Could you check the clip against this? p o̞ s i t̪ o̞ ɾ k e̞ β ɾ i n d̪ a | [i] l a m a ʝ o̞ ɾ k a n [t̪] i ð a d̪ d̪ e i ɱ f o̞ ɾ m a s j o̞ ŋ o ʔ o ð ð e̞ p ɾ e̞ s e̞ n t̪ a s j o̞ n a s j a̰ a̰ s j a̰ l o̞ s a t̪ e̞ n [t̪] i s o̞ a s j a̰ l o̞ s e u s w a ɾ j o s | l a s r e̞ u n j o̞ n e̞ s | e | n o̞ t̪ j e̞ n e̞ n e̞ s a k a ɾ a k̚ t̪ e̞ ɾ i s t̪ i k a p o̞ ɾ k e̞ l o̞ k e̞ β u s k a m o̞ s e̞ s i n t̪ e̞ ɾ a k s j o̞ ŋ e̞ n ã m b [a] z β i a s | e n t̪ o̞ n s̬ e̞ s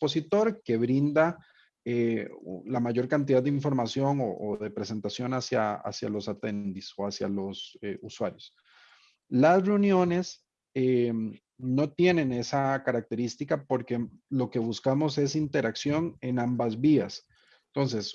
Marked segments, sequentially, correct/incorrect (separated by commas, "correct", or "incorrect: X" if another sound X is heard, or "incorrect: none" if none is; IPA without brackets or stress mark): incorrect: e, correct, incorrect: d̪, correct